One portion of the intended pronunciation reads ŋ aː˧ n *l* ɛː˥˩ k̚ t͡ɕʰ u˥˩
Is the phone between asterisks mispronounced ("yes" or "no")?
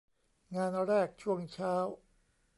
yes